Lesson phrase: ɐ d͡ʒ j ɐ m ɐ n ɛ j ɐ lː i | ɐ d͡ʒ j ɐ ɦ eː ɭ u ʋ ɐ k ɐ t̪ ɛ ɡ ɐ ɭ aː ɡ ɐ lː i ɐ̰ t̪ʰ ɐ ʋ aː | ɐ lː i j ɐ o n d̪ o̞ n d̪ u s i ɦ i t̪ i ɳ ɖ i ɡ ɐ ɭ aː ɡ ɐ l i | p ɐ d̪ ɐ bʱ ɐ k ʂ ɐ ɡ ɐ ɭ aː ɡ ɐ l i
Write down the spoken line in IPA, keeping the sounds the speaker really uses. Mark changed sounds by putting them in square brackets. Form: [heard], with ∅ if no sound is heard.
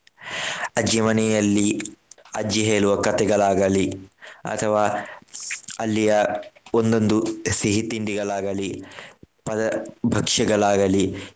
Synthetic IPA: ɐ d͡ʒ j ɐ m ɐ n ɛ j ɐ lː i | ɐ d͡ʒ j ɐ ɦ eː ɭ u ʋ ɐ k ɐ t̪ ɛ ɡ ɐ ɭ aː ɡ ɐ [l] i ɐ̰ t̪ʰ ɐ ʋ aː | ɐ lː i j ɐ o n d̪ o̞ n d̪ u s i ɦ i t̪ i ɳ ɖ i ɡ ɐ ɭ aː ɡ ɐ l i | p ɐ d̪ ɐ bʱ ɐ k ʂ ɐ ɡ ɐ ɭ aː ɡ ɐ l i